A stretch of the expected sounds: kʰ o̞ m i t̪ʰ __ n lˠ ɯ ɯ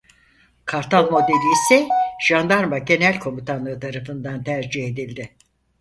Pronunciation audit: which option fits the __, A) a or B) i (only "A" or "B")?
A